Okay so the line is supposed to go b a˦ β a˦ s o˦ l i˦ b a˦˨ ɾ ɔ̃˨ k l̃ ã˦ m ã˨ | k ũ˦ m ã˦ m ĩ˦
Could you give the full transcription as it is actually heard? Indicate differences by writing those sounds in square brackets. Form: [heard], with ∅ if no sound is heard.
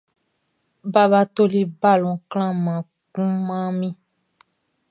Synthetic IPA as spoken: b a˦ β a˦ [t] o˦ l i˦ b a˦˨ [l] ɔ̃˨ k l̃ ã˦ m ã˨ | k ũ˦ m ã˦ m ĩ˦